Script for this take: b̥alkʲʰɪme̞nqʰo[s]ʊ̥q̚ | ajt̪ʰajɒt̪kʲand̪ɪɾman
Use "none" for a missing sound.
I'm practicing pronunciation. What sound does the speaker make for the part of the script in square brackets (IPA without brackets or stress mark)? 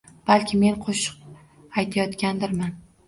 ʃ